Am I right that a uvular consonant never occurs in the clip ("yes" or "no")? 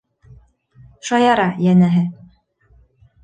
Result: yes